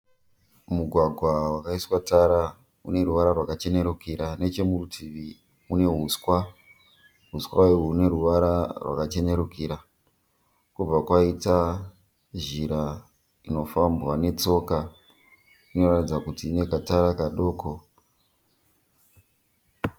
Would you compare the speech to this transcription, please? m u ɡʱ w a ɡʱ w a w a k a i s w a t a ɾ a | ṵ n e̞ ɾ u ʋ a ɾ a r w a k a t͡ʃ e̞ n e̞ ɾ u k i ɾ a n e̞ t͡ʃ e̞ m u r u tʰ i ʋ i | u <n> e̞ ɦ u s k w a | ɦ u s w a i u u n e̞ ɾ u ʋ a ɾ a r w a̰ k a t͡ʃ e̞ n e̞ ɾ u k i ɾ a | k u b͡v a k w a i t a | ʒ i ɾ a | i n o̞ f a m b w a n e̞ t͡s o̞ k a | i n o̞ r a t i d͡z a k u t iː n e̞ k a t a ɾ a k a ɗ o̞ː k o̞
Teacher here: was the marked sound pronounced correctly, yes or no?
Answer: yes